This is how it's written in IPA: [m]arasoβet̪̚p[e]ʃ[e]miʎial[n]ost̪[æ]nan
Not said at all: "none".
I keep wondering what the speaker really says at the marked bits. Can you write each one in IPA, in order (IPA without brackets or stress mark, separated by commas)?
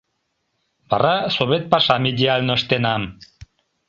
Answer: b, a, a, n, e